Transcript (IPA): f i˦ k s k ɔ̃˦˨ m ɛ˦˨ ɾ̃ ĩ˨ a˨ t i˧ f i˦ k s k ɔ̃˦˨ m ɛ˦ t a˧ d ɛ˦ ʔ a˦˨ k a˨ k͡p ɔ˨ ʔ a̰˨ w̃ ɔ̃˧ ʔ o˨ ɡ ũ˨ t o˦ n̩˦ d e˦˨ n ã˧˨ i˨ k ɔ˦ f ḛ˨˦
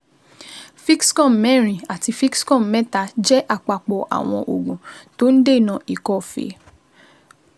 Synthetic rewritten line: f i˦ k s k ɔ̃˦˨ m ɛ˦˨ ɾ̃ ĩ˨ a˨ t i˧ f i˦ k s k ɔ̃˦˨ m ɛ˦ t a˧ d͡ʒ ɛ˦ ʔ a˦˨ k͡p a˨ k͡p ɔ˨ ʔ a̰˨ w̃ ɔ̃˧ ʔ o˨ ɡ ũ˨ t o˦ n̩˦ d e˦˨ n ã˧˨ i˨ k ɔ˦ f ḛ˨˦